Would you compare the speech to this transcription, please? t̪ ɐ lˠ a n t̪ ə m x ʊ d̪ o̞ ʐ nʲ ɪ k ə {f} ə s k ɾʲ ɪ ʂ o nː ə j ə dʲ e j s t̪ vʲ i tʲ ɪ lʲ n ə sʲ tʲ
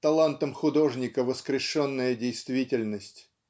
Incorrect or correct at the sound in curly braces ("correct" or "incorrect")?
incorrect